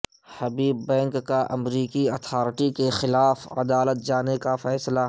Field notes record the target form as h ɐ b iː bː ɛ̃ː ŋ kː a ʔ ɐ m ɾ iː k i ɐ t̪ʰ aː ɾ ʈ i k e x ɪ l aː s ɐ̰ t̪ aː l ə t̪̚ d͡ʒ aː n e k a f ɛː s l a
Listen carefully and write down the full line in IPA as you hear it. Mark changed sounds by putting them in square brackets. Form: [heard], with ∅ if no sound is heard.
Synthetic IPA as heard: h ɐ b iː bː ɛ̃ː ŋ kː a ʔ ɐ m ɾ iː k i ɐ t̪ʰ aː ɾ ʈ i k e x ɪ l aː [f] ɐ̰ [d̪] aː l ə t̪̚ d͡ʒ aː n e k a f ɛː s l a